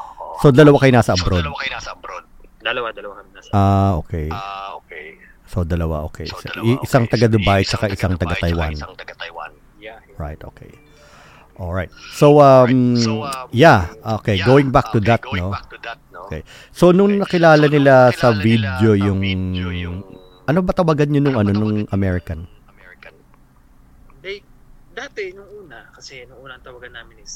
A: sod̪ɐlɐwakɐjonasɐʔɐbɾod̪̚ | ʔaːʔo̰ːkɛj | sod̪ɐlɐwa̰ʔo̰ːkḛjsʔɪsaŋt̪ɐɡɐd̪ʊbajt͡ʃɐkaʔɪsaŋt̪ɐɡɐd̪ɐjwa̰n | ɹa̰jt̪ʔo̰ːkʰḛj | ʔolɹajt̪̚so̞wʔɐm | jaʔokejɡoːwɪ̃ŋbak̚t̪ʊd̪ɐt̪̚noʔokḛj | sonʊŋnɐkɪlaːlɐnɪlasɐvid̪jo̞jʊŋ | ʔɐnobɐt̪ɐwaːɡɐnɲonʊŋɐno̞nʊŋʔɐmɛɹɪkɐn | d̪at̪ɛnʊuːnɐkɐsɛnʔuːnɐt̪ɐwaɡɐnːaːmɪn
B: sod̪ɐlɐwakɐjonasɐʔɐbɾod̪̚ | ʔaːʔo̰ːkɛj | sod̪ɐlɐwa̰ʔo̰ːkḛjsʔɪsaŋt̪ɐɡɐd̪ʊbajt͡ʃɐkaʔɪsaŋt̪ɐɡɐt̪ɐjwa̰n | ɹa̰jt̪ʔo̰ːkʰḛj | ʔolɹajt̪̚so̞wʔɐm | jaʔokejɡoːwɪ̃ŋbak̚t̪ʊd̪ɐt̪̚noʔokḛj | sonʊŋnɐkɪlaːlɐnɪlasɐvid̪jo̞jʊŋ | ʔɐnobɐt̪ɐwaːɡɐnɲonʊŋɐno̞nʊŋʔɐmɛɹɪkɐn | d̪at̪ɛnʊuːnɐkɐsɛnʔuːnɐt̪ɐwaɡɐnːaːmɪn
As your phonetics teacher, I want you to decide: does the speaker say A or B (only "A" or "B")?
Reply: B